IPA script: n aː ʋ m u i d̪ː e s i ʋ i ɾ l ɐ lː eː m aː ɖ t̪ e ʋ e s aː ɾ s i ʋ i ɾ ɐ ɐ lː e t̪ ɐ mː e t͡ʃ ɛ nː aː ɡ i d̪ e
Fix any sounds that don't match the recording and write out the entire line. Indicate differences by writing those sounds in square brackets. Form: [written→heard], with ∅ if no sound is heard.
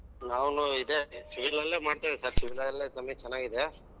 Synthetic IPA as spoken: n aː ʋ [m→n] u i [d̪ː→d̪] e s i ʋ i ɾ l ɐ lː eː m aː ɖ t̪ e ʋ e s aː ɾ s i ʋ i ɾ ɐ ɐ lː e t̪ ɐ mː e t͡ʃ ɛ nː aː ɡ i d̪ e